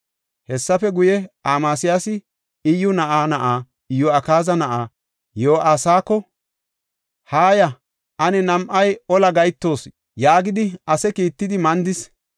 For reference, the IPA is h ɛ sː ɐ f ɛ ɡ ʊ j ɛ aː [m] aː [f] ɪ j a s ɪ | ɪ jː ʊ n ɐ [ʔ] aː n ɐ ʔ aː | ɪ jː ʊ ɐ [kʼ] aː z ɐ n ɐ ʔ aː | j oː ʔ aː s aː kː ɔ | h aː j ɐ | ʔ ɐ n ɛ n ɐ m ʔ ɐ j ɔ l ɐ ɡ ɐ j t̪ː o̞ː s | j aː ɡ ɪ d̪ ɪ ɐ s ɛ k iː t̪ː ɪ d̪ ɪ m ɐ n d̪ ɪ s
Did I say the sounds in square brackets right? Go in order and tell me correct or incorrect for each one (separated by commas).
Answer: correct, incorrect, correct, incorrect